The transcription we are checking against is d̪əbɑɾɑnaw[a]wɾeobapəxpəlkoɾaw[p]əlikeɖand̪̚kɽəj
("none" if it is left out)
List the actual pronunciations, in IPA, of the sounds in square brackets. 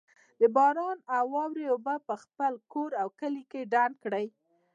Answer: ɑ, k

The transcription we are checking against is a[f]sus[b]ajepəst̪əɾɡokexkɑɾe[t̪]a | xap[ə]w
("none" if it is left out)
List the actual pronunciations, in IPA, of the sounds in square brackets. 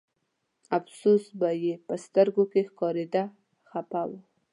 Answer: f, b, d̪, a

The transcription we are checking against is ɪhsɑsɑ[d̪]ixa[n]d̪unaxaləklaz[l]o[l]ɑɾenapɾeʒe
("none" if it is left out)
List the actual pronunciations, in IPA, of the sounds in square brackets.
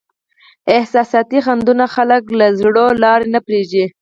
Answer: t̪, n, ɽ, l

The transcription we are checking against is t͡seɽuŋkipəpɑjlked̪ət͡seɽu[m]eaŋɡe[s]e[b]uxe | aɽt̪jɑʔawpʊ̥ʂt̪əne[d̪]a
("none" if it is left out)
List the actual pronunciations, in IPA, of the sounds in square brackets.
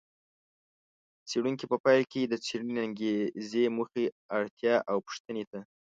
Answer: n, z, m, t̪

